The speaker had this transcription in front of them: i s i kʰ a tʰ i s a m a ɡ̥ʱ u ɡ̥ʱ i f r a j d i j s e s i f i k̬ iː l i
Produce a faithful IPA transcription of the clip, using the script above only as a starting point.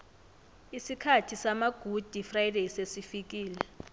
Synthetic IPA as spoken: i s i kʰ a tʰ i s a m a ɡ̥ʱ u d̥ʱ i f r a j d e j s e s i f i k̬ iː l ɛ